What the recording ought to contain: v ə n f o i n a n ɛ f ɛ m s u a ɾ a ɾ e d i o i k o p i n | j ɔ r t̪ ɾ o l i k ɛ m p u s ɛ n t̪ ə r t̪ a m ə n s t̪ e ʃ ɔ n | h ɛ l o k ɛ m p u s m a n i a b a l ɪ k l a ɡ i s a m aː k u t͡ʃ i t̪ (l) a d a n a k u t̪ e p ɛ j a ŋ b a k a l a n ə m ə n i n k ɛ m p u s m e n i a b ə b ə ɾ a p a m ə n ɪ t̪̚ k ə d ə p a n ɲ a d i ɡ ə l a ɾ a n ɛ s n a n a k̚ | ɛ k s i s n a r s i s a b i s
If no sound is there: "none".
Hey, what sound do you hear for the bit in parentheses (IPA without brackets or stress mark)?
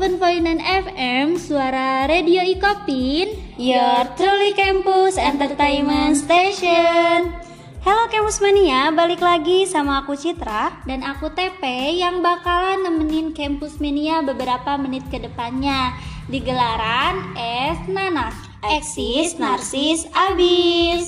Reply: ɾ